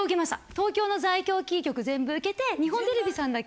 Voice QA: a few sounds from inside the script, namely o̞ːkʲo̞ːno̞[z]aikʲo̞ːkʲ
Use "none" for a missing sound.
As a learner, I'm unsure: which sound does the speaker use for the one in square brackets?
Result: z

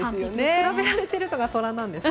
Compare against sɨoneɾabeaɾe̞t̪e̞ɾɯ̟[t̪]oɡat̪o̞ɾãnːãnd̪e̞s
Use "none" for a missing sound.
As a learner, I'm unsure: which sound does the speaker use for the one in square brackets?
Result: t̪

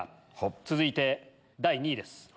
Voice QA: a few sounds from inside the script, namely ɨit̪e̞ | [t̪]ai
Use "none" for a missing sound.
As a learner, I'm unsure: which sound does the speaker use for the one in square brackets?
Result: d̪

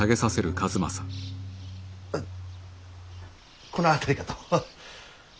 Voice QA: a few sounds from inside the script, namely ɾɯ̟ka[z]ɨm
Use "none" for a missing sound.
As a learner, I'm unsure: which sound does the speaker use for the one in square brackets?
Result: z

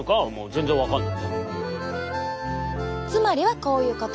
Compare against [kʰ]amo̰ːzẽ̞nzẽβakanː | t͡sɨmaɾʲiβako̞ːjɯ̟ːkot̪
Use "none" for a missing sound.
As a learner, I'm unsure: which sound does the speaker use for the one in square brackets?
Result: k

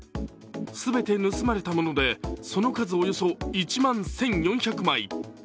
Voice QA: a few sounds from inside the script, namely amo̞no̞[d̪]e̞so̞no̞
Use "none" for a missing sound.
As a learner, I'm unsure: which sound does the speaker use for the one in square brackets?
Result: d̪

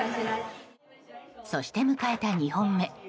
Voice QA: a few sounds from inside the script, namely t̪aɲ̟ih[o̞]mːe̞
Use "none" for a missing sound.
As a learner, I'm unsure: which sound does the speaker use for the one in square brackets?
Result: õ̞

